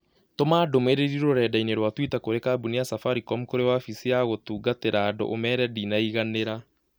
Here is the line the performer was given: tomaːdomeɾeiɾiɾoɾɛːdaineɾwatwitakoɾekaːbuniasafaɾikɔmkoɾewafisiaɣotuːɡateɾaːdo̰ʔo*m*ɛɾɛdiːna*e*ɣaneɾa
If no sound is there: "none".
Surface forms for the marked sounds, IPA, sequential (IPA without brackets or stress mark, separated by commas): m, i